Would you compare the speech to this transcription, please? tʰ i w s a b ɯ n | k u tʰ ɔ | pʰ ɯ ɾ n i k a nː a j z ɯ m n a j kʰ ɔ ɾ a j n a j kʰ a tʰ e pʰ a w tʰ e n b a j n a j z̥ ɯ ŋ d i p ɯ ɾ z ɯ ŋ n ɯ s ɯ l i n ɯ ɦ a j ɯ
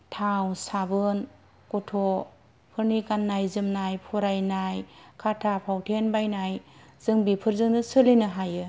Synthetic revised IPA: tʰ a w s a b ɯ n | k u tʰ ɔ | pʰ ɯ ɾ n i k a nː a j z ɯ m n a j pʰ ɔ ɾ a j n a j kʰ a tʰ a pʰ a w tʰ e n b a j n a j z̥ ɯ ŋ b i pʰ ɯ ɾ z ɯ ŋ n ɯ s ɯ l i n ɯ ɦ a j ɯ

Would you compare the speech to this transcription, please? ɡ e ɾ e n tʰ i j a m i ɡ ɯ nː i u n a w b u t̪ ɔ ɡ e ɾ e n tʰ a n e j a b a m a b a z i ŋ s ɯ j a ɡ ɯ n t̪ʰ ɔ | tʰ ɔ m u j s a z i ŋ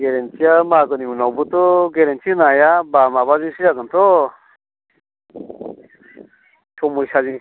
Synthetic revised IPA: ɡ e ɾ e n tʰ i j a m a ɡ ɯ n i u n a w b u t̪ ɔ ɡ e ɾ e n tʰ i n a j a b a m a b a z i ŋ s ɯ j a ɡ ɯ n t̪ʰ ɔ | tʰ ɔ m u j s a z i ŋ

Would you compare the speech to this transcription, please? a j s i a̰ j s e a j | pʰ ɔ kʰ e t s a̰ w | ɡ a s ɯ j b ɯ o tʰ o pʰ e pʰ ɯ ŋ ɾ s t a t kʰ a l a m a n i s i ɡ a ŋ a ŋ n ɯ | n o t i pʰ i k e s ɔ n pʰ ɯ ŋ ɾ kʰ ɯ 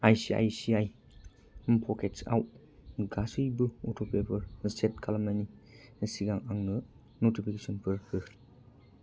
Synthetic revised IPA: a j s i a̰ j s i a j | pʰ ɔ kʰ e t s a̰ w | ɡ a s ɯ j b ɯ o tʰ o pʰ e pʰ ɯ ɾ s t e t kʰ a l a m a n i s i ɡ a ŋ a ŋ n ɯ | n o t i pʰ i k e s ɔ n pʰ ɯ ɾ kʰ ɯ

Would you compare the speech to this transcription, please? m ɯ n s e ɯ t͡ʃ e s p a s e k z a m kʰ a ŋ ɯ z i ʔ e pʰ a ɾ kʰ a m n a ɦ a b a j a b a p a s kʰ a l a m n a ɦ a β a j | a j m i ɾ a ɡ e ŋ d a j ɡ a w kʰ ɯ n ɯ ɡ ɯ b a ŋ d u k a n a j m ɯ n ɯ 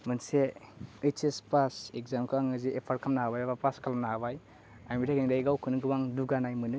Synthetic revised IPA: m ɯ n s e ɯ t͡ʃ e s p a s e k z a m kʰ a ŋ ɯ z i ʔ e pʰ a ɾ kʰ a m n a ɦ a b a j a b a p a s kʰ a l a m n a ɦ a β a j | a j m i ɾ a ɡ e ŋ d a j ɡ a w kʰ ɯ n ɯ ɡ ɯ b a ŋ d u ɡ a n a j m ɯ n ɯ

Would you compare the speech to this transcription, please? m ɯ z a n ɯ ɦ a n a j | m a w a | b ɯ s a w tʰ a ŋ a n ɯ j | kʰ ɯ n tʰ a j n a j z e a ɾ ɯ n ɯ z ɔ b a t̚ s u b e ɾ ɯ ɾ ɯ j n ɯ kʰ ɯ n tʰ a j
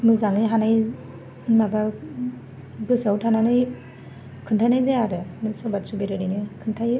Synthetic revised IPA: m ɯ z a ŋ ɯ ɦ a n a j | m a b a | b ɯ s a w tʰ a n a n ɯ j | kʰ ɯ n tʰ a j n a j z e a ɾ ɯ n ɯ s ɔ b a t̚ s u b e ɾ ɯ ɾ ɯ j n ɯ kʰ ɯ n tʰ a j

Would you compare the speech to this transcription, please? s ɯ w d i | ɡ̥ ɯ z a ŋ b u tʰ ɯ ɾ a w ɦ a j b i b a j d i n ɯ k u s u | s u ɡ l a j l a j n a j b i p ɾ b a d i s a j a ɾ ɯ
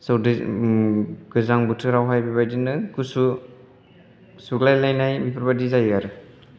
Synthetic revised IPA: s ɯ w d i | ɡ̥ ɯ z a ŋ b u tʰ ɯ ɾ a w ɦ a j b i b a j d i n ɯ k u s u | s u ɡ l a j l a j n a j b i p ɾ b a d i z a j a ɾ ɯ

